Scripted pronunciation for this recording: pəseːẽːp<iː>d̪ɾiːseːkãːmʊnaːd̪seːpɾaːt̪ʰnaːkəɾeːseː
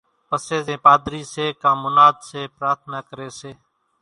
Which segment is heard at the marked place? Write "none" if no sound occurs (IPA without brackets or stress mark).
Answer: aː